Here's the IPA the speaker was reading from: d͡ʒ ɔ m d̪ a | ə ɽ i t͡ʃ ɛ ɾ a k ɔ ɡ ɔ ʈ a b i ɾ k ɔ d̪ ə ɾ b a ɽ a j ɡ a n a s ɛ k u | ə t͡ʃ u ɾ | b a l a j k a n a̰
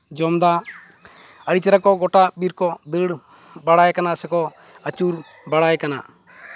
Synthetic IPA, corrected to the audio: d͡ʒ ɔ m d̪ a | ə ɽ i t͡ʃ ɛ ɾ a k ɔ ɡ ɔ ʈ a b i ɾ k ɔ d̪ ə ɽ b a ɽ a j k a n a s ɛ k ɔ | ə t͡ʃ u ɾ | b a ɽ a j k a n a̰

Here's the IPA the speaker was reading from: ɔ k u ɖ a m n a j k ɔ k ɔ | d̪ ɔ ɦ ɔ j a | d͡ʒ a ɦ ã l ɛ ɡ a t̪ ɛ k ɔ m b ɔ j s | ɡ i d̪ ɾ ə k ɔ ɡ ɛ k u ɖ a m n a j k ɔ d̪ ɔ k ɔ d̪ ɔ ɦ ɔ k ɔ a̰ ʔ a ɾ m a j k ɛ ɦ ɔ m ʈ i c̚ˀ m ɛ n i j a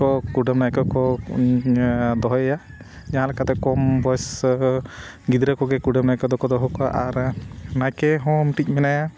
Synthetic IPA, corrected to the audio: ɔ k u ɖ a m n a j k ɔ k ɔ | d̪ ɔ ɦ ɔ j a | d͡ʒ a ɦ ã l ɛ k a t̪ ɛ k ɔ m b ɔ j s | ɡ i d̪ ɾ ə k ɔ ɡ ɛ k u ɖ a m n a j k ɔ d̪ ɔ k ɔ d̪ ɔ ɦ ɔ k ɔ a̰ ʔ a ɾ n a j k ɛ ɦ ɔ m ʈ i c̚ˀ m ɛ n a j a

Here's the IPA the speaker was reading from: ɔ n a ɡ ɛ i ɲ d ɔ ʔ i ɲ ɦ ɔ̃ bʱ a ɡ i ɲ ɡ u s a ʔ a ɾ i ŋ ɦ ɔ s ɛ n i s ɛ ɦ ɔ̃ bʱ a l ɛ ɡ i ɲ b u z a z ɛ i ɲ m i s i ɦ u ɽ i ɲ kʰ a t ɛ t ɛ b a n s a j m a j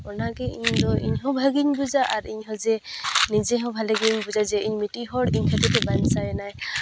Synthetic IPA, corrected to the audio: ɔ n a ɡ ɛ i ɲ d ɔ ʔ i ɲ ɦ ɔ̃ bʱ a ɡ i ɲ b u z a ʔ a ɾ i ɲ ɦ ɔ z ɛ n i z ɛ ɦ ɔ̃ bʱ a l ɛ ɡ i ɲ b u z a z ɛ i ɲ m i t i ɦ ɔ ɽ i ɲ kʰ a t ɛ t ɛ b a n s a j n a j

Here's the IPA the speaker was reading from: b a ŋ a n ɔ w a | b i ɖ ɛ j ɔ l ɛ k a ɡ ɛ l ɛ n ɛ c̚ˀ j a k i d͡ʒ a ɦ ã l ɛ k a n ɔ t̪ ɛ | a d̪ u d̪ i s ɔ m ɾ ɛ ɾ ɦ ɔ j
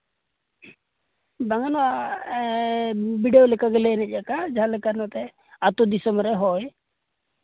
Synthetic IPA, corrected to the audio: b a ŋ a n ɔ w a | b i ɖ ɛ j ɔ l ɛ k a ɡ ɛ l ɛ n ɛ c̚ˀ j a k a d͡ʒ a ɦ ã l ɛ k a n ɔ t̪ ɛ | a t̪ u d̪ i s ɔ m ɾ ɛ ɦ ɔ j

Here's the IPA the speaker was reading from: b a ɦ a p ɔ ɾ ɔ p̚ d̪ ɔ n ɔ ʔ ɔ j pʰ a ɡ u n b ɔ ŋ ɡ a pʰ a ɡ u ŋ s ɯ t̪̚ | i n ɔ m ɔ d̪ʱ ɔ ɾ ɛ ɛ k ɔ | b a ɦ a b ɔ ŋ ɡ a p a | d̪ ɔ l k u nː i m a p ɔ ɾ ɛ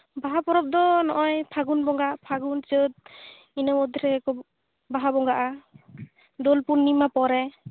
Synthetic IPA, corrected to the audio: b a ɦ a p ɔ ɾ ɔ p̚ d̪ ɔ n ɔ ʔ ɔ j pʰ a ɡ u n b ɔ ŋ ɡ a pʰ a ɡ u n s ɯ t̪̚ | i n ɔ m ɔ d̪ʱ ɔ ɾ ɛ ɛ k ɔ | b a ɦ a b ɔ ŋ ɡ a ʔ a | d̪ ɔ l p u nː i m a p ɔ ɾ ɛ

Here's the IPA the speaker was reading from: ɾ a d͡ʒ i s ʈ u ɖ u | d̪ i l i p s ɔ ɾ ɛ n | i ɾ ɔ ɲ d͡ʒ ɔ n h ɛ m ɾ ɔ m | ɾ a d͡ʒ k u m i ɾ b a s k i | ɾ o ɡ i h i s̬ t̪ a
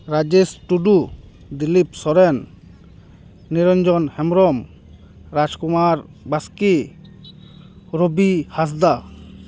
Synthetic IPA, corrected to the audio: ɾ a d͡ʒ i s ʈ u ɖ u | d̪ i l i p s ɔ ɾ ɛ n | i ɾ ɔ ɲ d͡ʒ ɔ n h ɛ m ɾ ɔ m | ɾ a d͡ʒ k u m a ɾ b a s k i | ɾ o b i h a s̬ d̪ a

